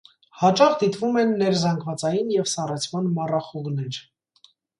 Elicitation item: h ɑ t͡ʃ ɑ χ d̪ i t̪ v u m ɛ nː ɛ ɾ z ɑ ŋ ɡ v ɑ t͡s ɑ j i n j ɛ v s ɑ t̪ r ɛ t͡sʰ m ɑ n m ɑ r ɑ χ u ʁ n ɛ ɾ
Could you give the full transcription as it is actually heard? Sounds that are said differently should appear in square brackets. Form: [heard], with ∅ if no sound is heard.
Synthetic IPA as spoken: h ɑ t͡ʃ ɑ χ d̪ i t̪ v u m ɛ nː ɛ ɾ z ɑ ŋ ɡ v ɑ t͡s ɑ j i n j ɛ v s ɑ [∅] r ɛ t͡sʰ m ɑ n m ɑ r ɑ χ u ʁ n ɛ ɾ